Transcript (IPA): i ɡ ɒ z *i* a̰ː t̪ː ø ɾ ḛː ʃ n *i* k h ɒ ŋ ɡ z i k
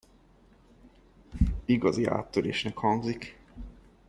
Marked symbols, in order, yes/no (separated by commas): yes, no